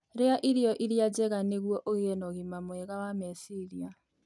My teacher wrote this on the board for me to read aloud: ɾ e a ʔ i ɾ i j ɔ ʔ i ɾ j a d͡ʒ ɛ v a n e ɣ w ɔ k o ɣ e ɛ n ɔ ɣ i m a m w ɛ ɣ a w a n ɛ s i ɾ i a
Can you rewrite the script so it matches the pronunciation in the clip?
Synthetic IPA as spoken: ɾ e a ʔ i ɾ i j ɔ ʔ i ɾ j a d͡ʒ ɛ ɣ a n e ɣ w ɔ ʔ o ɣ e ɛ n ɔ ɣ i m a m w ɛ ɣ a w a m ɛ s i ɾ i a